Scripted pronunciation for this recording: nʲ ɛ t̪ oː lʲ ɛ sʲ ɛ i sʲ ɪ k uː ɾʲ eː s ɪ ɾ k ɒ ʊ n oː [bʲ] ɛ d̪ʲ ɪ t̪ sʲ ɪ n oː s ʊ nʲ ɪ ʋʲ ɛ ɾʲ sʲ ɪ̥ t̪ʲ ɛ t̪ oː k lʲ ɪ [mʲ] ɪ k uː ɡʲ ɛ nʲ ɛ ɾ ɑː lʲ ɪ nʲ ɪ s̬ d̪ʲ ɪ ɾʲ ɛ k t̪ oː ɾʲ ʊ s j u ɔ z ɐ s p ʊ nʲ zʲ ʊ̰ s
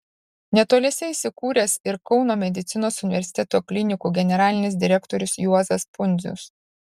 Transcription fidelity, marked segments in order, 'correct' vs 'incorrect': incorrect: mʲ, incorrect: nʲ

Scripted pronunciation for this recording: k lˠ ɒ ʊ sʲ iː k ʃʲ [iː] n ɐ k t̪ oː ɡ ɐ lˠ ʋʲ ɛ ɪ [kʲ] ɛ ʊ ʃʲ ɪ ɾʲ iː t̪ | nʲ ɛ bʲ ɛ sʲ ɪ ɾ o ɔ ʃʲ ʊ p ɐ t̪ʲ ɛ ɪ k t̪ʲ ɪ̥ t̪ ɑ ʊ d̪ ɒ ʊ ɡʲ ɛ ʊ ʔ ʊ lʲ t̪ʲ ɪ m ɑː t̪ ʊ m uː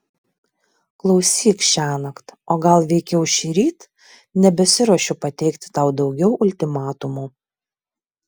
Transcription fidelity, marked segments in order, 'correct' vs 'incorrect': incorrect: æː, correct

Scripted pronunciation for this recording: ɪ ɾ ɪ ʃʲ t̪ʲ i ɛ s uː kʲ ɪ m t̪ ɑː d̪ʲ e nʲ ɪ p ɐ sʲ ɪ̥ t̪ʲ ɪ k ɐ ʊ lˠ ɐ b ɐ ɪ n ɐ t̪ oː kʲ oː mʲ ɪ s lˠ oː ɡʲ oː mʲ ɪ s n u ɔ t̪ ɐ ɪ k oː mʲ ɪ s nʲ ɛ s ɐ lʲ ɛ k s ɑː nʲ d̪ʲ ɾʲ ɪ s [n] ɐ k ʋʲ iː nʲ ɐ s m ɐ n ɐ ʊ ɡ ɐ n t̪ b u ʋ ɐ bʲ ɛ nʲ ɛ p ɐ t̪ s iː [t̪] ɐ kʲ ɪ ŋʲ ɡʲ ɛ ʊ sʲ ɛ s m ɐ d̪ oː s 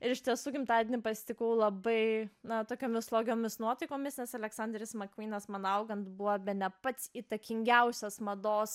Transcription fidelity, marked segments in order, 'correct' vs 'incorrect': incorrect: m, correct

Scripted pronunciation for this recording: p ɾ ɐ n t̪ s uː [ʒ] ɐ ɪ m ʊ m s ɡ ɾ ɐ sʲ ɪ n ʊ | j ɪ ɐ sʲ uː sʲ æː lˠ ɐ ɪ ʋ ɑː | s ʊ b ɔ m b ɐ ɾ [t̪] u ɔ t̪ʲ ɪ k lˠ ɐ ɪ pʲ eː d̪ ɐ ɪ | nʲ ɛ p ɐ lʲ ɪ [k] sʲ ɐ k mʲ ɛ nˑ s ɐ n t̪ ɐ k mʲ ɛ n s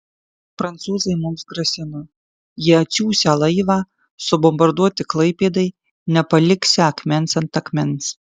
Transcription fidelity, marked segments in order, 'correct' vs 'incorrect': incorrect: z, incorrect: d̪, correct

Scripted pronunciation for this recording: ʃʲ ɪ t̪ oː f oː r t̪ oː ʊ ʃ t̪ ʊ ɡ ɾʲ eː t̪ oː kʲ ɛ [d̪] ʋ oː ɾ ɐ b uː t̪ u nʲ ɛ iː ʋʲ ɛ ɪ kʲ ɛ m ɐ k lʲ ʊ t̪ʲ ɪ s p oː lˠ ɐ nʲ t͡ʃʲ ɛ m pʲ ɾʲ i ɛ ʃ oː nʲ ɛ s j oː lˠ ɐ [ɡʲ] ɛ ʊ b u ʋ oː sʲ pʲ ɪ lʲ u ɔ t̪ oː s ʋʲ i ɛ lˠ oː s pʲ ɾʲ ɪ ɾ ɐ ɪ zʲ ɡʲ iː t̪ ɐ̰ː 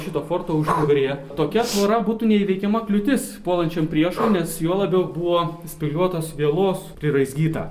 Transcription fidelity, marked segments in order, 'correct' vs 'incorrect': incorrect: t̪, incorrect: bʲ

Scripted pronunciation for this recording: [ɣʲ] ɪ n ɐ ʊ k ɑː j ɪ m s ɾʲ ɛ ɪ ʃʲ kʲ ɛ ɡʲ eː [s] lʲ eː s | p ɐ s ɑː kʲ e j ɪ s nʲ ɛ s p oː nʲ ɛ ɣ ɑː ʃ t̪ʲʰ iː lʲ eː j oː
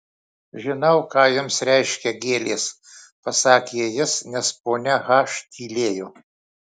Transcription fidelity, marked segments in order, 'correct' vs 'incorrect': incorrect: ʒʲ, incorrect: none

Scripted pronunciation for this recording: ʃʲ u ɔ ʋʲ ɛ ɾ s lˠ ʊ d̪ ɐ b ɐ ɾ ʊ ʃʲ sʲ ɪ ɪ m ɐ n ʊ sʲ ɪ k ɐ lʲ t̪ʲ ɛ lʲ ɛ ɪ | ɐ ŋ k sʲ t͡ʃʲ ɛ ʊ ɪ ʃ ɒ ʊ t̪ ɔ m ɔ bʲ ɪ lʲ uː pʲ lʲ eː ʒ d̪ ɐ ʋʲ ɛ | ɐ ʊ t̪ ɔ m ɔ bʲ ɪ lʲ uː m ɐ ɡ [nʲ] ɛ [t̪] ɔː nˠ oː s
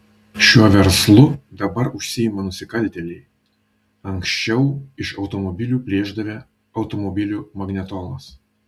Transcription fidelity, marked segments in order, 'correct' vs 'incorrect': correct, correct

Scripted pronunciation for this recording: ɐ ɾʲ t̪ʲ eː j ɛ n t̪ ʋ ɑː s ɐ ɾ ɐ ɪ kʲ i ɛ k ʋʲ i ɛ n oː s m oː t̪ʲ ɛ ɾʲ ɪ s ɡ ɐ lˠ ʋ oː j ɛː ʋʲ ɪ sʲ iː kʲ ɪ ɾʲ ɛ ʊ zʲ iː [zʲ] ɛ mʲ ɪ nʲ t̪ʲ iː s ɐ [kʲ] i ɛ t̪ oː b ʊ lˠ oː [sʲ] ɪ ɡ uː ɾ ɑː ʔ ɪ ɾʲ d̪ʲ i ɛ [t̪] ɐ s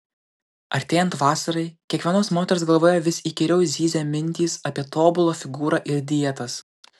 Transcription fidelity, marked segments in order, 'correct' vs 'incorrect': correct, incorrect: pʲ, incorrect: fʲ, correct

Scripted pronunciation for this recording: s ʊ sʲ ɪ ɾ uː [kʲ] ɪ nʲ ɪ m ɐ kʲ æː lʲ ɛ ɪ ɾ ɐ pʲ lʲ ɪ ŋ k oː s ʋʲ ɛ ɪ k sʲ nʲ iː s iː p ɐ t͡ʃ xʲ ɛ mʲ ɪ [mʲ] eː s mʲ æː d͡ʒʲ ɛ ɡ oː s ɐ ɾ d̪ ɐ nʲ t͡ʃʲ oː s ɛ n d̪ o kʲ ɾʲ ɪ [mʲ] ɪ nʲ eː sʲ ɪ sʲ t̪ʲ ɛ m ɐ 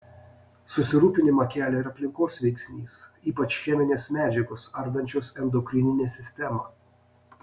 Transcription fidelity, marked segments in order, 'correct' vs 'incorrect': incorrect: pʲ, incorrect: nʲ, incorrect: nʲ

